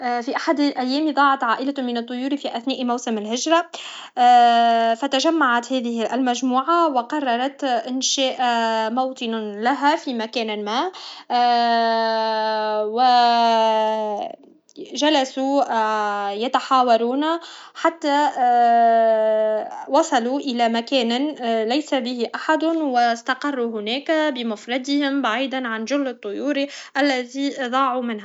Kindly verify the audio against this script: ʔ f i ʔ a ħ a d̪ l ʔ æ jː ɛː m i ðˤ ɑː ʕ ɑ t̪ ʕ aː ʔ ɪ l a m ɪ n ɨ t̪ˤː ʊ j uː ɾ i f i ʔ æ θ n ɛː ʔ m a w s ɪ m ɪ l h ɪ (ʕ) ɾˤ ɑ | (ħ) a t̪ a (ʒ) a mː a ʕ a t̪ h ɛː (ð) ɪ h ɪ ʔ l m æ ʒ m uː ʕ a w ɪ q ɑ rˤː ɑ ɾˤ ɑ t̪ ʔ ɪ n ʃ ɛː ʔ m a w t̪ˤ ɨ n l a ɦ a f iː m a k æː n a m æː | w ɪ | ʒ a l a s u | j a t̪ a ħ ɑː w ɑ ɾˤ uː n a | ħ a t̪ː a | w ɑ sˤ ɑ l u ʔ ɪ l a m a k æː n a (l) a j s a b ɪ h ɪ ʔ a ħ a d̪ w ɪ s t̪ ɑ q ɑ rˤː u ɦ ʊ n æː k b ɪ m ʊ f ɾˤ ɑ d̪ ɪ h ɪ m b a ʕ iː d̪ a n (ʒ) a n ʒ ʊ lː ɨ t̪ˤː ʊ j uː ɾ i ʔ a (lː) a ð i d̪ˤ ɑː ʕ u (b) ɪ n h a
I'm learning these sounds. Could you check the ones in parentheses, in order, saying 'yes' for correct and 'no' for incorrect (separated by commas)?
no, no, yes, yes, yes, no, yes, no